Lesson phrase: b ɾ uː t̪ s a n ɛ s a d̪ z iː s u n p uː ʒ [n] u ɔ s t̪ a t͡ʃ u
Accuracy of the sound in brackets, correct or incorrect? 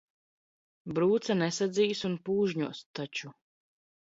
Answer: incorrect